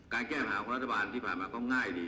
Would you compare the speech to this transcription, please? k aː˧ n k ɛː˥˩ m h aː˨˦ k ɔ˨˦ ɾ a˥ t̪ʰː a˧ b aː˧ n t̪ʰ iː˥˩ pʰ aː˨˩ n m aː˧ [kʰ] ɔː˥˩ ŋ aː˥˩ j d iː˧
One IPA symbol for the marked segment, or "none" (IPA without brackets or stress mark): k